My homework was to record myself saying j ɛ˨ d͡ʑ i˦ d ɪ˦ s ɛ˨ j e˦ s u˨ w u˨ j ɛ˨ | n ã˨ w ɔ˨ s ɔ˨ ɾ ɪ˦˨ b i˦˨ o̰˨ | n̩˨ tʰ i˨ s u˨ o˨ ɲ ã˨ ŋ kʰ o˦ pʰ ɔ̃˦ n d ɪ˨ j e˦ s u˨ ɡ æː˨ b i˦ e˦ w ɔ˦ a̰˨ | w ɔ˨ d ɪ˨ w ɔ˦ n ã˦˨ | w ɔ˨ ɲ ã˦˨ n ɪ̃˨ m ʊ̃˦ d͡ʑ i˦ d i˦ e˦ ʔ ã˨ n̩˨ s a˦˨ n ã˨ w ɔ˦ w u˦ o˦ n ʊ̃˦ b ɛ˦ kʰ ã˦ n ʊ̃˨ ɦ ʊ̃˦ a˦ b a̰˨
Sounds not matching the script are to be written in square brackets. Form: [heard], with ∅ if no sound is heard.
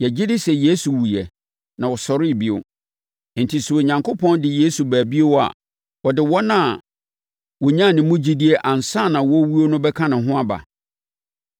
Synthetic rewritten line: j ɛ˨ d͡ʑ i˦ d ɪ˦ s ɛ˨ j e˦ s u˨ w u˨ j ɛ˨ | n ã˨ w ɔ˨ s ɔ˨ ɾ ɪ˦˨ b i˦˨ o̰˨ | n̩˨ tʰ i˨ s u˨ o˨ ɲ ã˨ ŋ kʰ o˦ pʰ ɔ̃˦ n d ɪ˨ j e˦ s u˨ [b] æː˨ b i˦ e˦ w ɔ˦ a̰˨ | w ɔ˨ d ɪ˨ w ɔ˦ n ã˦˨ | w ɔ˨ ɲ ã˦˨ n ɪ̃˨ m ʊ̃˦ d͡ʑ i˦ d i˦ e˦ ʔ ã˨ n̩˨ s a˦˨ n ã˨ w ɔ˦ w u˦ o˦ n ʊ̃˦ b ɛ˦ kʰ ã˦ n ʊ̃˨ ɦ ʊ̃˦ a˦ b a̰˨